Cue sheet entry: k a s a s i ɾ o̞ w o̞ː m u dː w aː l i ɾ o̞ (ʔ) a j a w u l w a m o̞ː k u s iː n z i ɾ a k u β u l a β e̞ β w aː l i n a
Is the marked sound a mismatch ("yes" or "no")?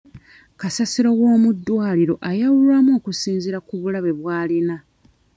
no